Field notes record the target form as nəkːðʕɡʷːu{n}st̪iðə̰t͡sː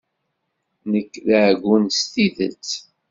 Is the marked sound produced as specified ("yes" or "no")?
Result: yes